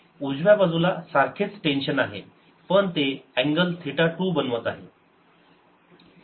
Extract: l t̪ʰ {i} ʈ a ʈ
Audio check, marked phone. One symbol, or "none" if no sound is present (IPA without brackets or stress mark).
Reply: i